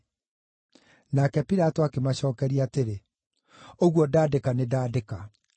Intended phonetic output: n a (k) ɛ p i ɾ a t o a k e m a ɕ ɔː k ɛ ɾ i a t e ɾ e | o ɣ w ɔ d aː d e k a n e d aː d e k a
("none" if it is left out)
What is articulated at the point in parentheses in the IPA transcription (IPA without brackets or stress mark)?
k